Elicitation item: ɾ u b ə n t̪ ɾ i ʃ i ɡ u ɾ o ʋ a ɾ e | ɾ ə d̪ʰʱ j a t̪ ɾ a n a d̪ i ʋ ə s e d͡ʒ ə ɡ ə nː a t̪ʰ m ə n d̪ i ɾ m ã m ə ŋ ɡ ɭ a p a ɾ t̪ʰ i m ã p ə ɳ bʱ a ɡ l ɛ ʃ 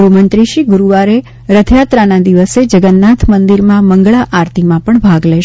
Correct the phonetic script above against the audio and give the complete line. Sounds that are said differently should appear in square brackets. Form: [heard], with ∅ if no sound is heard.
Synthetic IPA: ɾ u [m] ə n t̪ ɾ i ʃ i ɡ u ɾ [u] ʋ a ɾ e | ɾ ə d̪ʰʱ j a t̪ ɾ a n a d̪ i ʋ ə s e d͡ʒ ə ɡ ə nː a t̪ʰ m ə n d̪ i ɾ m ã m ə ŋ ɡ ɭ a [ʔ] a ɾ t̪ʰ i m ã p ə ɳ bʱ a ɡ l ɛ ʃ